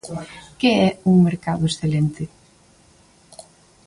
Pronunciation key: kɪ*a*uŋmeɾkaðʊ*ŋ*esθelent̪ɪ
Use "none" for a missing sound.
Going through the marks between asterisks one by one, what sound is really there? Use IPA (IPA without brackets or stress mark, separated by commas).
ɛ, none